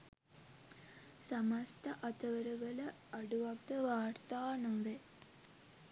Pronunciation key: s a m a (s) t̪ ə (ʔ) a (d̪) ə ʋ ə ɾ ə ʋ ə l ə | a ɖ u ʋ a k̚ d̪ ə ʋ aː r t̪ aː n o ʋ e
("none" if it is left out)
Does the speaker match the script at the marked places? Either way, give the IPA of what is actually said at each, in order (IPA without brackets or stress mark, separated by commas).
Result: s, ʔ, t̪